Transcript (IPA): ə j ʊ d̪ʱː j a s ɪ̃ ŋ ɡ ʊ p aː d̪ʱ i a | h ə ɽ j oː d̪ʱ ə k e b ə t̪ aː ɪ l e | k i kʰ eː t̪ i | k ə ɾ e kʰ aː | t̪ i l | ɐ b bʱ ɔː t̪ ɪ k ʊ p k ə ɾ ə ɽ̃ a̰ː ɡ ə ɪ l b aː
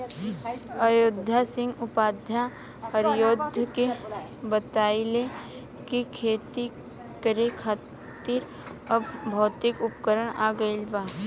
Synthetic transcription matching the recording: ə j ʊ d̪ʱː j a s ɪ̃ ŋ ɡ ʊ p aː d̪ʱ j a | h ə ɾ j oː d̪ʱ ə k e b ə t̪ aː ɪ l e | k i kʰ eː t̪ i | k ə ɾ e kʰ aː | t̪ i ɾ | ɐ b bʱ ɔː t̪ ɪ k ʊ p k ə ɾ ə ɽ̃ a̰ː ɡ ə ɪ l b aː